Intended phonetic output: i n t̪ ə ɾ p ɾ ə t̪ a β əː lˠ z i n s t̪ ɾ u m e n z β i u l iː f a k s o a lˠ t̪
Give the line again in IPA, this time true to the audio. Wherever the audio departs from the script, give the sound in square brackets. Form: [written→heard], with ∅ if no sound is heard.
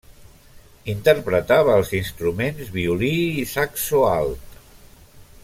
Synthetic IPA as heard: i n t̪ ə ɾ p ɾ ə t̪ a β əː lˠ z i n s t̪ ɾ u m e n z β i u l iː [f→s] a k s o a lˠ t̪